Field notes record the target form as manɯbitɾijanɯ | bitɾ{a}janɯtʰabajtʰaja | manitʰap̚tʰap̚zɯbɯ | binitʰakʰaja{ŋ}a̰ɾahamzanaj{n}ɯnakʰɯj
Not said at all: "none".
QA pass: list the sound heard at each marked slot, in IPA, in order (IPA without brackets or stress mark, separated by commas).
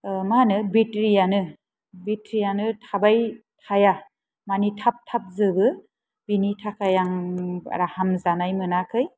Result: i, ŋ, m